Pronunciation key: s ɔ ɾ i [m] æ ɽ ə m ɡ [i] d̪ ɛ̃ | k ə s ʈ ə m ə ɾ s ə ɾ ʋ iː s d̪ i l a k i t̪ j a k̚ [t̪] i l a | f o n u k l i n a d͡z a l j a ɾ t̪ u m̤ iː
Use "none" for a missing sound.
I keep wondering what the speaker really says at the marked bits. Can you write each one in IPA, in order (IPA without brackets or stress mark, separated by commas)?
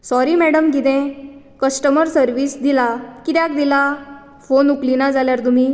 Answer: m, i, d̪